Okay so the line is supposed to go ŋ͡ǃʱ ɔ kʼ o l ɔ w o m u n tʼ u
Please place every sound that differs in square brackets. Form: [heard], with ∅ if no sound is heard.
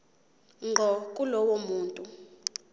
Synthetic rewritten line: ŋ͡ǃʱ ɔ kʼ [u] l ɔ w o m [uː] n tʼ u